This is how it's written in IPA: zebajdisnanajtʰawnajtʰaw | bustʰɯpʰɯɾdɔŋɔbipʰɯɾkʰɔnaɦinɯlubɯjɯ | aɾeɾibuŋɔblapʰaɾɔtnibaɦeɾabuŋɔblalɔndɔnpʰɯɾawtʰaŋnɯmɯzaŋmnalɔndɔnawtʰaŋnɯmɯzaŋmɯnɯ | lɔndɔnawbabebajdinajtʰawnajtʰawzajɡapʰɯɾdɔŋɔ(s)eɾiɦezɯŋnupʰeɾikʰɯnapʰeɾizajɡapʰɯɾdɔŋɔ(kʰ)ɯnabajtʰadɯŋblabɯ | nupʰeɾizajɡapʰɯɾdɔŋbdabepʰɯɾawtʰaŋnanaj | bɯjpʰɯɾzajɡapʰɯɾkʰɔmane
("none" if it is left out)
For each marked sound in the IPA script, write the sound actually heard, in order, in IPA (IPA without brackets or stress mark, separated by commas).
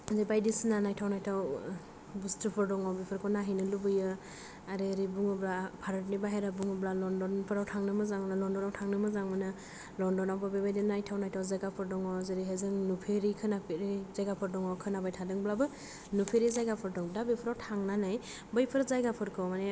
z, kʰ